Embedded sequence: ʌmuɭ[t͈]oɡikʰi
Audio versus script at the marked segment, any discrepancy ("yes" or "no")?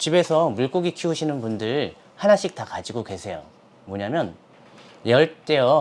yes